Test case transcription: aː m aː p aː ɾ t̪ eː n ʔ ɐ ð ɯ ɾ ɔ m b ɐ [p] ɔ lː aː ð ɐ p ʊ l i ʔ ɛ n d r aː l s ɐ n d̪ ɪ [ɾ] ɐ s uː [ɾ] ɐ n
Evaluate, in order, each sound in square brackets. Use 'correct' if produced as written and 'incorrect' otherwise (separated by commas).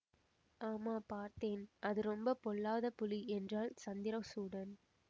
correct, correct, incorrect